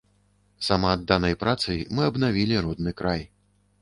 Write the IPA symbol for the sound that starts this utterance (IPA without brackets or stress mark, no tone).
s